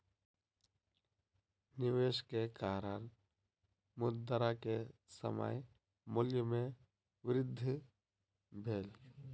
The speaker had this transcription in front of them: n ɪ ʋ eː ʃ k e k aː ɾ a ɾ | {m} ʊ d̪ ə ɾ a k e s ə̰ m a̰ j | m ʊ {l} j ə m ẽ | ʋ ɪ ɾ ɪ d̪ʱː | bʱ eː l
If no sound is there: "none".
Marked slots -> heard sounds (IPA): m, l

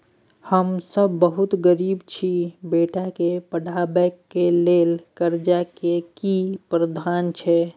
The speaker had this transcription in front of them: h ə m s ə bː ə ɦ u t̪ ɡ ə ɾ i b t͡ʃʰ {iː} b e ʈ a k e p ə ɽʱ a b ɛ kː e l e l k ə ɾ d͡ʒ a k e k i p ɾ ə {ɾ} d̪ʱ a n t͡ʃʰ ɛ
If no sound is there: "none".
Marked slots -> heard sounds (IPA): i, none

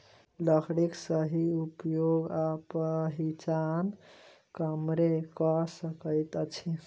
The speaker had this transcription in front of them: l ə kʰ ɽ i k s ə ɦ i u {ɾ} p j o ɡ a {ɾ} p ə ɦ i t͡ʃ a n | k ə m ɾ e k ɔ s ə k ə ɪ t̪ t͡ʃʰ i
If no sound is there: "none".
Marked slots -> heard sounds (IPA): none, none

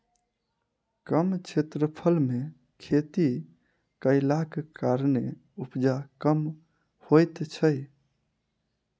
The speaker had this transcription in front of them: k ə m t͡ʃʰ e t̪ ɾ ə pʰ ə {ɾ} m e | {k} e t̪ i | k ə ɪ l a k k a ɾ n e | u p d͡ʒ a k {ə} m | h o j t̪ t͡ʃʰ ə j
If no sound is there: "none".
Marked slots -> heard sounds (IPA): l, kʰ, ə

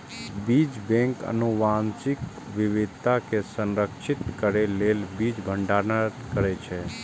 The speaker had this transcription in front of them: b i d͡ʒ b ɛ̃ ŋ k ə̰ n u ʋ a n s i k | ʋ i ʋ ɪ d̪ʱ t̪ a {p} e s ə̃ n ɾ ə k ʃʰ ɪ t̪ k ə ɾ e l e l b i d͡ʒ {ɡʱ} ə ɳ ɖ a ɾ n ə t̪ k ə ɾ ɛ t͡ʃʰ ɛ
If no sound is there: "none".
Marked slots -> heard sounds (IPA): k, bʱ

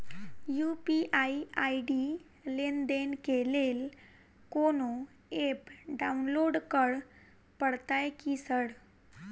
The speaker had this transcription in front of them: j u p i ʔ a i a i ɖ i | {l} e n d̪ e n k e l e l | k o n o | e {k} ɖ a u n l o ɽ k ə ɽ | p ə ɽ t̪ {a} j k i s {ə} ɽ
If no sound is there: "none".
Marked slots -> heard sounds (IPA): l, p, a, ə

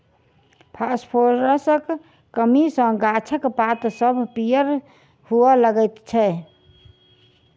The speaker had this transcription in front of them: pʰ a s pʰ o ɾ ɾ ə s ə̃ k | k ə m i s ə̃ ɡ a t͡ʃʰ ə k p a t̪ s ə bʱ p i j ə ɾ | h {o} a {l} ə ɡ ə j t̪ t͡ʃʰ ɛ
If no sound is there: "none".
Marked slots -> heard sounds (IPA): u, l

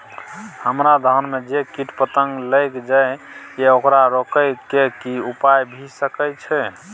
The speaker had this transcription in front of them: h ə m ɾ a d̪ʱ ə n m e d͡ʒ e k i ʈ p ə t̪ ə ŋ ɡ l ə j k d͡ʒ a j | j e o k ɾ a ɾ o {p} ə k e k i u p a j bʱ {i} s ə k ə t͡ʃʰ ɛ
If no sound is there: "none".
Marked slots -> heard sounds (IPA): k, i

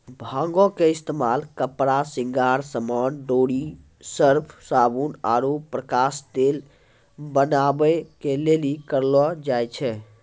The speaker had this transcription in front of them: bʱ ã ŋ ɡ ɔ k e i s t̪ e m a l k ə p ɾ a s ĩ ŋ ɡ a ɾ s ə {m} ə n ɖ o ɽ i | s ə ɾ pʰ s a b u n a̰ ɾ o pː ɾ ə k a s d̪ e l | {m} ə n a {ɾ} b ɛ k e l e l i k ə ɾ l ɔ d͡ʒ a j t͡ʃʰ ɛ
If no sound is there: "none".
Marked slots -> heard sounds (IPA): m, b, none

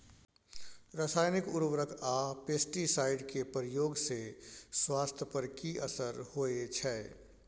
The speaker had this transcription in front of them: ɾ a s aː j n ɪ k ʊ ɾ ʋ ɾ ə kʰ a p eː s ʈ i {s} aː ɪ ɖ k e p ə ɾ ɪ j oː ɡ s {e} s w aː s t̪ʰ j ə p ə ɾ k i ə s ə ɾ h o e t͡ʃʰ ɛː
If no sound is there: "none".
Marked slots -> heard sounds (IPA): s, e

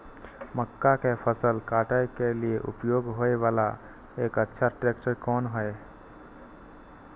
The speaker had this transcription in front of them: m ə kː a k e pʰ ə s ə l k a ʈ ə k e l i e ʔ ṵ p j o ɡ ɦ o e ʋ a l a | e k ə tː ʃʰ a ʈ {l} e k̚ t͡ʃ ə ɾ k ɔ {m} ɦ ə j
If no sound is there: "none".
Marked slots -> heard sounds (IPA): ɾ, n

